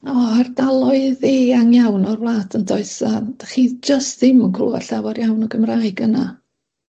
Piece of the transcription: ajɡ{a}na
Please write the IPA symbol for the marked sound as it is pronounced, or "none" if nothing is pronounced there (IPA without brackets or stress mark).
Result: ə